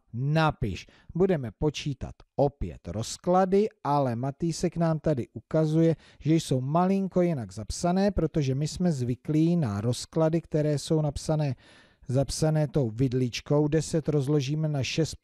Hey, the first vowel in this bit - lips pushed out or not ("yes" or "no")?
no